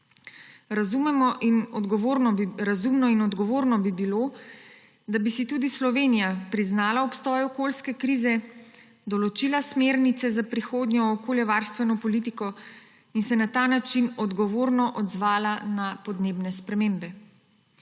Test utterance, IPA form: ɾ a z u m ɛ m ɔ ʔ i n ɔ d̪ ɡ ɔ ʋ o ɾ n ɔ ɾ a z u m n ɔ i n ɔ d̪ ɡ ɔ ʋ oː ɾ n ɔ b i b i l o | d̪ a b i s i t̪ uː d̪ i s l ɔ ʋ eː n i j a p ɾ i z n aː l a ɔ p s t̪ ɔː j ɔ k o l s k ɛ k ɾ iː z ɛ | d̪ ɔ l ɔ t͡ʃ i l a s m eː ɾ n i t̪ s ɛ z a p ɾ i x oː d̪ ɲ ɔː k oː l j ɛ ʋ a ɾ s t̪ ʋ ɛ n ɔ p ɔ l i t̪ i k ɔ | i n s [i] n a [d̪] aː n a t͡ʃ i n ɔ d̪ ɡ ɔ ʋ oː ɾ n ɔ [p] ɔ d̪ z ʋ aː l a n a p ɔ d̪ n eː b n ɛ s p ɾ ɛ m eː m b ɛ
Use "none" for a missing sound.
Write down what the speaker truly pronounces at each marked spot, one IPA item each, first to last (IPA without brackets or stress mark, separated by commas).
ɛ, t̪, ʔ